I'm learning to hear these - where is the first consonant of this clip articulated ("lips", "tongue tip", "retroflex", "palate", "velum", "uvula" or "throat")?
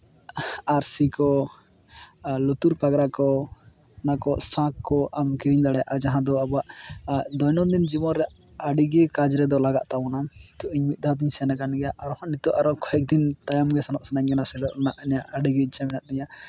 tongue tip